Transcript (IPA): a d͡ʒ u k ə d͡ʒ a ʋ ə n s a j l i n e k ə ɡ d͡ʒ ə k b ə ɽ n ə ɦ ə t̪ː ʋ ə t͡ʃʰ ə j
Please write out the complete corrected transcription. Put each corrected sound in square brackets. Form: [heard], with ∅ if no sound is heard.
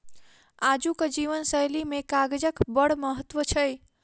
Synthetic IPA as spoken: a d͡ʒ u k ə d͡ʒ [i] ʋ ə n s [ə] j l i [m] e k [a] ɡ d͡ʒ ə k b ə ɽ [m] ə ɦ ə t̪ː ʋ ə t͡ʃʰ ə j